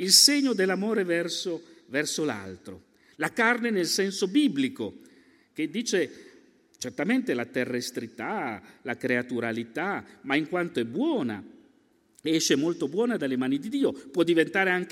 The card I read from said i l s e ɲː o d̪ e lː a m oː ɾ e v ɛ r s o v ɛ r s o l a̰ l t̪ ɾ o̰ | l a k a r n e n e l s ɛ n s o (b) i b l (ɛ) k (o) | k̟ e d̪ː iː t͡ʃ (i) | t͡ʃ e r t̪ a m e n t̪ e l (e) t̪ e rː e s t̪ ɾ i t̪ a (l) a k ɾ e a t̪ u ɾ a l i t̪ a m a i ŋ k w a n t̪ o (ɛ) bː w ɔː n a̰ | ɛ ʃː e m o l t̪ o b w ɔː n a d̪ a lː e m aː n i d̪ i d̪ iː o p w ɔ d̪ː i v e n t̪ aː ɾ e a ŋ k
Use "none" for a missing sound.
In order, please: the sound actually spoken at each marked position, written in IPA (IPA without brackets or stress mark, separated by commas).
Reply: b, i, o, e, a, l, ɛ